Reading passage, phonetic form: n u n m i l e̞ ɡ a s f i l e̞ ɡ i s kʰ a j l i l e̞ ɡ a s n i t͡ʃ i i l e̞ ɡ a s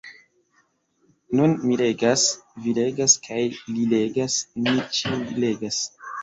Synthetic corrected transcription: n u n m i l e̞ ɡ a s v i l e̞ ɡ a s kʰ a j l i l e̞ ɡ a s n i t͡ʃ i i l e̞ ɡ a s